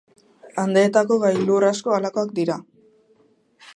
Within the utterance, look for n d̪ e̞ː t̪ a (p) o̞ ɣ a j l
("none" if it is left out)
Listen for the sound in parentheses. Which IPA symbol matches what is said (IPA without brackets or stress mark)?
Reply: k